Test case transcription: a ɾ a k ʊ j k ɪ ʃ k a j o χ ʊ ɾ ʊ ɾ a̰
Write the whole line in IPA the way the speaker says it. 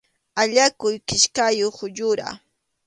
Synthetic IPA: a ʎ a k ʊ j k ɪ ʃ k a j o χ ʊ ʎ ʊ ɾ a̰